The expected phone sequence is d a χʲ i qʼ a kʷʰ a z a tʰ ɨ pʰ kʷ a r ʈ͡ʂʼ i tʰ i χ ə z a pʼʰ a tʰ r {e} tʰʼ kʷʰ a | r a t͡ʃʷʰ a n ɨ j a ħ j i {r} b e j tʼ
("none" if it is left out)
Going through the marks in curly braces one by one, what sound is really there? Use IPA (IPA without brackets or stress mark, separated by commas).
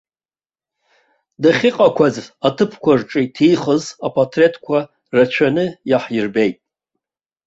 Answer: e, r